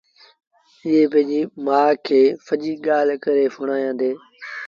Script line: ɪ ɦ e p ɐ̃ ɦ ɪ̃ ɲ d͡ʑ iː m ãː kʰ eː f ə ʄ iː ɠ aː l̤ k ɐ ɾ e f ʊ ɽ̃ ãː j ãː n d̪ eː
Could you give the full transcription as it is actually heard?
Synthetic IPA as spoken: ɪ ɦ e p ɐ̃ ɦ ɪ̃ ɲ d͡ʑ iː m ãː kʰ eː f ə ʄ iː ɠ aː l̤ k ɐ ɾ e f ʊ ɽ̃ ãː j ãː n d̪ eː